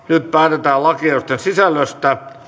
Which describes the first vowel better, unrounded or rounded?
rounded